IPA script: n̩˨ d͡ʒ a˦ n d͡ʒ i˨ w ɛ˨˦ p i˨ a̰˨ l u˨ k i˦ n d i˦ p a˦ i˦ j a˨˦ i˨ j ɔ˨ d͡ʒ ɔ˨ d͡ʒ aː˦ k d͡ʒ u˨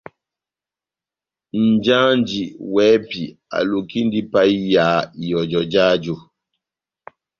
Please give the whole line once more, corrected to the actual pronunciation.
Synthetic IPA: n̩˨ d͡ʒ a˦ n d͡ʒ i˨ w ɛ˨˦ p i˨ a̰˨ l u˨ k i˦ n d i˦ p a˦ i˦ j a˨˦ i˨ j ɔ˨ d͡ʒ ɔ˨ d͡ʒ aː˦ d͡ʒ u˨